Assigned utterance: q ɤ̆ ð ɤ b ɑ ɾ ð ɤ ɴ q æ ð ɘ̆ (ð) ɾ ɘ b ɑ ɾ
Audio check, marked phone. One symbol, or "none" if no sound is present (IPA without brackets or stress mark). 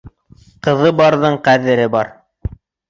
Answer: none